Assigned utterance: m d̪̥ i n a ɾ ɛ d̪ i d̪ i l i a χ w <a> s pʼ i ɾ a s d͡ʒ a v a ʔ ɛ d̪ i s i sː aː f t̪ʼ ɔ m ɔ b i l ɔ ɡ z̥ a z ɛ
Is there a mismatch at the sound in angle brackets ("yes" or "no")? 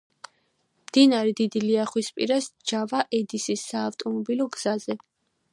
yes